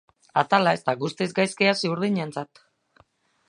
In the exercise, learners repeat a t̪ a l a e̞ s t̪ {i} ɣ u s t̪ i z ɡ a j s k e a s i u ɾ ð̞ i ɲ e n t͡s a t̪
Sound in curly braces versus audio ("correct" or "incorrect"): incorrect